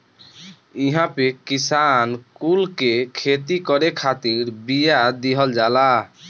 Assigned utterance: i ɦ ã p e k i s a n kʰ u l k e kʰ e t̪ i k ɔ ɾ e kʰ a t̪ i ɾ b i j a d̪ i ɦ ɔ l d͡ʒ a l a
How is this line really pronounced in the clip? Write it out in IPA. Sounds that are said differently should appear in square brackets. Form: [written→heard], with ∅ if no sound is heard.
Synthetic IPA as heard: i ɦ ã p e k i s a n [kʰ→k] u l k e kʰ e t̪ i k ɔ ɾ e kʰ a t̪ i ɾ b i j a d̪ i ɦ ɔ l d͡ʒ a l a